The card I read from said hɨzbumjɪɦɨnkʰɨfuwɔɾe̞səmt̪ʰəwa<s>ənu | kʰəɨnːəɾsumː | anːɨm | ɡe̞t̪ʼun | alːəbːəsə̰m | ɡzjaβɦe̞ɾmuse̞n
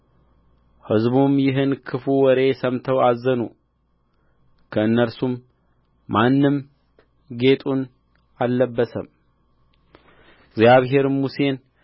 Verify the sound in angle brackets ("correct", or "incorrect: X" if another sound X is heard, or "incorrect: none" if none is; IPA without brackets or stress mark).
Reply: incorrect: z